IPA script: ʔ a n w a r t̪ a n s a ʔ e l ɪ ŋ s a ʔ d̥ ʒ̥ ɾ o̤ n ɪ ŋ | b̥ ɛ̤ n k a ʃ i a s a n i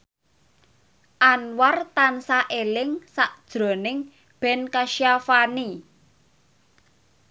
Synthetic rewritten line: ʔ a n w a r t̪ a n s a ʔ e l ɪ ŋ s a ʔ d̥ ʒ̥ ɾ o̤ n ɪ ŋ | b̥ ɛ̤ n k a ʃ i a f a n i